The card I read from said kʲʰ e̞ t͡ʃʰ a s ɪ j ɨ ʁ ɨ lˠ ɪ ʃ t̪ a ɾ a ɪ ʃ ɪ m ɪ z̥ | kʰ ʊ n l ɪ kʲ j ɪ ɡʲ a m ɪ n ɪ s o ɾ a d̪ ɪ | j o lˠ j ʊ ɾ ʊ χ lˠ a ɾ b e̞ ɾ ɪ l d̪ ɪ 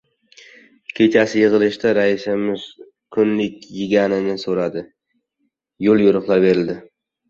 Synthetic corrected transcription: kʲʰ e̞ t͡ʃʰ a s ɪ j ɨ ʁ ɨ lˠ ɪ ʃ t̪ a ɾ a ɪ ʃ ɪ m ɪ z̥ | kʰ ʊ n l ɪ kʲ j ɪ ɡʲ a n ɪ n ɪ s o ɾ a d̪ ɪ | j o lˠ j ʊ ɾ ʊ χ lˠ a ɾ b e̞ ɾ ɪ l d̪ ɪ

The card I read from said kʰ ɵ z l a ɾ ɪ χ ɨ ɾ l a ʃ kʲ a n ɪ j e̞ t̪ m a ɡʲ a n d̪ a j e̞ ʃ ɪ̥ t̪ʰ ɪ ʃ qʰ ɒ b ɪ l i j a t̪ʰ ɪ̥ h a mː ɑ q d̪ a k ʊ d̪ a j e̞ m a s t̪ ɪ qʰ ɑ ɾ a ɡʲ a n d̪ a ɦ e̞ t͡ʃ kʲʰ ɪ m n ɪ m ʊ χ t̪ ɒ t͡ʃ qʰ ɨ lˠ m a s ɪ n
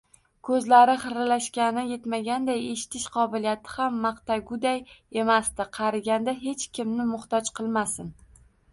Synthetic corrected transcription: kʰ ɵ z l a ɾ ɪ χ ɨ ɾ l a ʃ kʲ a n ɪ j e̞ t̪ m a ɡʲ a n d̪ a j e̞ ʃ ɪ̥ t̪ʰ ɪ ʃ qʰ ɒ b ɪ l i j a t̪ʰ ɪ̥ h a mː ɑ q t̪ a ɡ ʊ d̪ a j e̞ m a s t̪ ɪ qʰ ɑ ɾ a ɡʲ a n d̪ a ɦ e̞ t͡ʃ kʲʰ ɪ m n ɪ m ʊ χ t̪ ɒ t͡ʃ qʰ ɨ lˠ m a s ɪ n

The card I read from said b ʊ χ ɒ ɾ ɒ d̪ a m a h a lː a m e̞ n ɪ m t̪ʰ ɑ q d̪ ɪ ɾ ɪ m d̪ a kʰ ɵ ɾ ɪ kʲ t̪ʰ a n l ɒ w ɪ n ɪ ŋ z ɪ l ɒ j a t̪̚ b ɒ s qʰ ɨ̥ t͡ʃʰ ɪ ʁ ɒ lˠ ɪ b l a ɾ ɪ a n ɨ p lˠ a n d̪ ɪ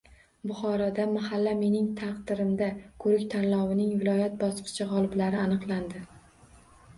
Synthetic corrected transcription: b ʊ χ ɒ ɾ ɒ d̪ a m a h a lː a m e̞ n ɪ ŋ t̪ʰ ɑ q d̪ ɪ ɾ ɪ m d̪ a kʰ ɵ ɾ ɪ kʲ t̪ʰ a n l ɒ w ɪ n ɪ ŋ v ɪ l ɒ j a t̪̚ b ɒ s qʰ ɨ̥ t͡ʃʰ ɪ ʁ ɒ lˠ ɪ b l a ɾ ɪ a n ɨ q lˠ a n d̪ ɪ

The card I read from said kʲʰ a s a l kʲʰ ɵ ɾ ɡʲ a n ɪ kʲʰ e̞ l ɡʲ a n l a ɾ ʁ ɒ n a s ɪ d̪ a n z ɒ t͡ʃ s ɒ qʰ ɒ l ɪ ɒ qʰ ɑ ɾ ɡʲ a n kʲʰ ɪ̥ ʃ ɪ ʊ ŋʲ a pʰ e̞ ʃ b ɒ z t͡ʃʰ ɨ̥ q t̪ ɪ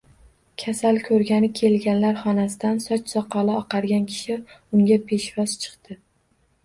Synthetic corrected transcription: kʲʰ a s a l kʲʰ ɵ ɾ ɡʲ a n ɪ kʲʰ e̞ l ɡʲ a n l a ɾ χ ɒ n a s ɪ d̪ a n s ɒ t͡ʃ s ɒ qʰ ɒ l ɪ ɒ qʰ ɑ ɾ ɡʲ a n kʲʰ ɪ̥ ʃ ɪ ʊ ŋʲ a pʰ e̞ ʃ v ɒ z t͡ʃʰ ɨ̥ q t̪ ɪ

